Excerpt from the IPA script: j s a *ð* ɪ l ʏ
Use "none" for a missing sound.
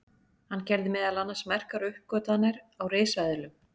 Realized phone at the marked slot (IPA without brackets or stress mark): ð